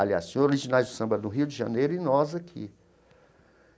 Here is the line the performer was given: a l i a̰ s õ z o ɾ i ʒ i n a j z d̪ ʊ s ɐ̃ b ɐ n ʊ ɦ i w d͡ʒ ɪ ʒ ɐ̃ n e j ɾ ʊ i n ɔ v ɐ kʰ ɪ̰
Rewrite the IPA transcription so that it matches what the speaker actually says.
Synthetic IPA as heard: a l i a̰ s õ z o ɾ i ʒ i n a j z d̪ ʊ s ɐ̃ b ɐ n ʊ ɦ i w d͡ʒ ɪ ʒ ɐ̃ n e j ɾ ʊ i n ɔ z ɐ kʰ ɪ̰